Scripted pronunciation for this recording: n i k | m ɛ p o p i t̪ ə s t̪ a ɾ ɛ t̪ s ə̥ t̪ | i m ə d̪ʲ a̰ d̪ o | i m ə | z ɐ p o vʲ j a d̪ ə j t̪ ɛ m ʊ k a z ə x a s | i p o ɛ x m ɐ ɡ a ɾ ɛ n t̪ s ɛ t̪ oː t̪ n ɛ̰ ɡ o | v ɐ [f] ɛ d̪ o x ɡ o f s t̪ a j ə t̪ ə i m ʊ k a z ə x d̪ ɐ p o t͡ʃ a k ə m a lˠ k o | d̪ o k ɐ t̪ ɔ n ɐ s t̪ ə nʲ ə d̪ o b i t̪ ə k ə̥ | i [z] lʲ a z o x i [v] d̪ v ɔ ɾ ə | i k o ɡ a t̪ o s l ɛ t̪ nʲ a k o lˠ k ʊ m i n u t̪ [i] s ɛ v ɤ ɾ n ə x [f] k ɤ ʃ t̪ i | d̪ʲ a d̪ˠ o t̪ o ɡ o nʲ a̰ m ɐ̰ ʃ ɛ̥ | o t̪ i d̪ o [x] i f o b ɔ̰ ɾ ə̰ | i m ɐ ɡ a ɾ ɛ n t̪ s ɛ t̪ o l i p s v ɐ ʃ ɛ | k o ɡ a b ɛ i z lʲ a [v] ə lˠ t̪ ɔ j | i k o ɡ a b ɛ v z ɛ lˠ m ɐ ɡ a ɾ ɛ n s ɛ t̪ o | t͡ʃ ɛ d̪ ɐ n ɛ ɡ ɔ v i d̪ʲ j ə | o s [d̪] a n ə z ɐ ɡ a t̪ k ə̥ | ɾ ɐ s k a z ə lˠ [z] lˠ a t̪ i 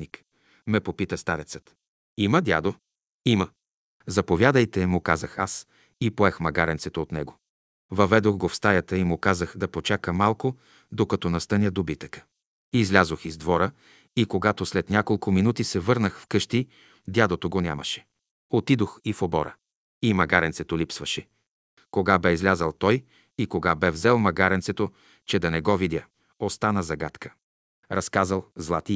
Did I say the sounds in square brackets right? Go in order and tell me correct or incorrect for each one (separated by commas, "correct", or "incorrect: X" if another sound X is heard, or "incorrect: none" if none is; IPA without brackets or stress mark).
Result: incorrect: v, correct, incorrect: z, correct, correct, correct, incorrect: z, incorrect: t̪, correct